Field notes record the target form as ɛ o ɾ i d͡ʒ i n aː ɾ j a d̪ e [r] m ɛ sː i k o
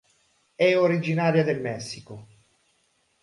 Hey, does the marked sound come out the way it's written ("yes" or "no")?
no